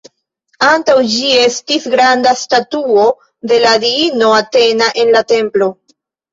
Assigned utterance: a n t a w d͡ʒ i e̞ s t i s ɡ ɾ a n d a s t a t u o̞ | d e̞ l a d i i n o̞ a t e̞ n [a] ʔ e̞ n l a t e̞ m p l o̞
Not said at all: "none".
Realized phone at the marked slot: a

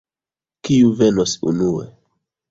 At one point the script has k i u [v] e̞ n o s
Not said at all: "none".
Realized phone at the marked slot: v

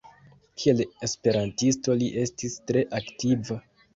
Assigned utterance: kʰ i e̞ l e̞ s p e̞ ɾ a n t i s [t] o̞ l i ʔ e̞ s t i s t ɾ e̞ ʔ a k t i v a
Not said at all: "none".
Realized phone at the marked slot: t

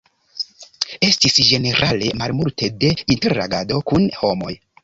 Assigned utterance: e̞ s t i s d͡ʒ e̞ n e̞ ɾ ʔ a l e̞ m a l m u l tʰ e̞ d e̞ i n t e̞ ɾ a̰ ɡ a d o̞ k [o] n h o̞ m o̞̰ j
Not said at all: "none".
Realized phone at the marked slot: u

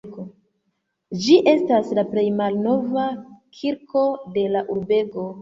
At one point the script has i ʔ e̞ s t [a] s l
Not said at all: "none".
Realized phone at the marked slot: a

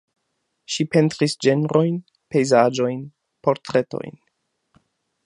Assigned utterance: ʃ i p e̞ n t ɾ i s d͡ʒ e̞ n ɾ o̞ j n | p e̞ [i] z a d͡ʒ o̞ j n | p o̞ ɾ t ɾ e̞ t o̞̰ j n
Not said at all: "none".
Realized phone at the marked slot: j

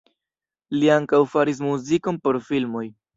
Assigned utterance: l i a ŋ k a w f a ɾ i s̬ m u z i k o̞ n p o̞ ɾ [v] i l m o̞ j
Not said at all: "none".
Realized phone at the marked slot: f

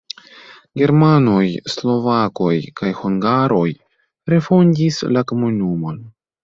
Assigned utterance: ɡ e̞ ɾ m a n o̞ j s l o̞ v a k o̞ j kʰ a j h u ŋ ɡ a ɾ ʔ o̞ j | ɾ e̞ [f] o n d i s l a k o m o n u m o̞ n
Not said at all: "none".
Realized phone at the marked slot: f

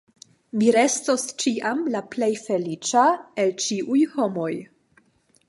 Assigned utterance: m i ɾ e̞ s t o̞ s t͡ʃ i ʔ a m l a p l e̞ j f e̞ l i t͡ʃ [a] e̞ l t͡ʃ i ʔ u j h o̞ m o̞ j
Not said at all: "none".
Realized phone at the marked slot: a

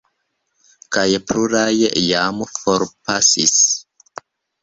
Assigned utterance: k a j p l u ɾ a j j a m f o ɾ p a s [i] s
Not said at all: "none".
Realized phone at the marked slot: i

